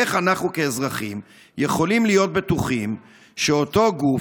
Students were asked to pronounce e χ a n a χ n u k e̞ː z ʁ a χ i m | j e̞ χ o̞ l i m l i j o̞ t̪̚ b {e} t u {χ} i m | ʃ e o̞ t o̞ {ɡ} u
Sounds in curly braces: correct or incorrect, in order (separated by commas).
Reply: correct, correct, correct